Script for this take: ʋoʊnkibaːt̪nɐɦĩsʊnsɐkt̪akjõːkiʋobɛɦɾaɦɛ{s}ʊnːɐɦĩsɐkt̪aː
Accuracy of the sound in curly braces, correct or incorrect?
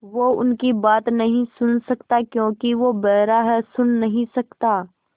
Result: correct